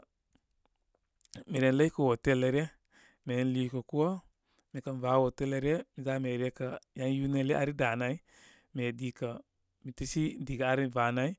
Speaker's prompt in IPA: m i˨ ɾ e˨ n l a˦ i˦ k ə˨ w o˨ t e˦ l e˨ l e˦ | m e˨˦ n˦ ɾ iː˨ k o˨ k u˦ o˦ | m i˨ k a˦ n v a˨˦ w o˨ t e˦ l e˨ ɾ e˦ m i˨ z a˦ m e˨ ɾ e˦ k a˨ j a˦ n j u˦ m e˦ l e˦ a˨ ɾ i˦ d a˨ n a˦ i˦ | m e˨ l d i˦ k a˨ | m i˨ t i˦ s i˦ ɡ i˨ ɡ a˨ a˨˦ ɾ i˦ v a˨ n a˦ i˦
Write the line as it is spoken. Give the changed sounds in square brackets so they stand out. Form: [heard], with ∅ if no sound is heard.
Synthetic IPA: m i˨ ɾ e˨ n l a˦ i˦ k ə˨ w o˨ t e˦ l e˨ [ɾ] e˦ | m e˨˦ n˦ [l] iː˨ k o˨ k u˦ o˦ | m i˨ k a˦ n v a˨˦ w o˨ t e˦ l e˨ ɾ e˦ m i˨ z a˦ m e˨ ɾ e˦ k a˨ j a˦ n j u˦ [n] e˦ l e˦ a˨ ɾ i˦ d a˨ n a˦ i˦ | m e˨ [∅] d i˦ k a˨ | m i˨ t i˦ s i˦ [d] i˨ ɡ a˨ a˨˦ ɾ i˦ v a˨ n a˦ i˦